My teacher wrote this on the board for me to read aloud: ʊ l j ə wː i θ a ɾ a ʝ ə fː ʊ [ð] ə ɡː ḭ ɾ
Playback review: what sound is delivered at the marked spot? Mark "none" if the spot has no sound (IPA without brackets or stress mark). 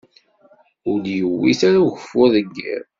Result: ð